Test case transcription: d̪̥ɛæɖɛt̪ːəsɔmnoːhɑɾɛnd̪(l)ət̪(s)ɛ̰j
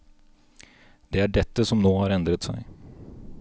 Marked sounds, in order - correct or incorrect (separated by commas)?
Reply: incorrect, correct